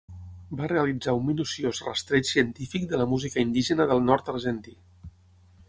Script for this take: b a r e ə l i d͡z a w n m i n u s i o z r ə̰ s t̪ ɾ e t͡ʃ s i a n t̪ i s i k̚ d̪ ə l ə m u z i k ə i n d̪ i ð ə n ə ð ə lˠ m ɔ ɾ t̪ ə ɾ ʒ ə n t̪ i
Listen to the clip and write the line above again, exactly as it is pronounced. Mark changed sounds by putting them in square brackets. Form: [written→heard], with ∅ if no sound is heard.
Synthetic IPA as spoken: b a r e ə l i d͡z a [w→u] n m i n u s i o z r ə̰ s t̪ ɾ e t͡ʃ s i [a→ə] n t̪ i [s→f] i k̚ d̪ ə l ə m u z i k ə i n d̪ i [ð→ʒ] ə n ə ð ə lˠ [m→n] ɔ ɾ t̪ ə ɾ ʒ ə n t̪ i